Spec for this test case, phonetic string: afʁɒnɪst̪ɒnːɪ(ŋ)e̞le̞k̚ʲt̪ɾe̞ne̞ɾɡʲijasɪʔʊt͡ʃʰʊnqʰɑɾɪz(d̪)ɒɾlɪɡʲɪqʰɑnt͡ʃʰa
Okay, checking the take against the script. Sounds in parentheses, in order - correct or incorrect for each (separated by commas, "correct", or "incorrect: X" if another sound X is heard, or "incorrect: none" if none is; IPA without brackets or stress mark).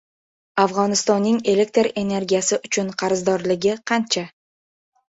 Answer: correct, correct